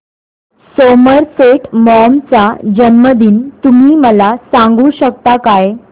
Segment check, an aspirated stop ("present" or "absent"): absent